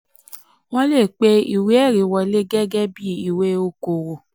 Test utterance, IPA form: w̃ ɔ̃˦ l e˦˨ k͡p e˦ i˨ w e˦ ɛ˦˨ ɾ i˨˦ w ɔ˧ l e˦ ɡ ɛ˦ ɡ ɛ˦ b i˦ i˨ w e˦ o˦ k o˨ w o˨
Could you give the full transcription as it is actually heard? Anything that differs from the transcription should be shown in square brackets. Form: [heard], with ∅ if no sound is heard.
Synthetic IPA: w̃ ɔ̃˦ l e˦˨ k͡p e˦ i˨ w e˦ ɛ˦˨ ɾ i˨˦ w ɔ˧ l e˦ ɡ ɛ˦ ɡ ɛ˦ b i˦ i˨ w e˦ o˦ k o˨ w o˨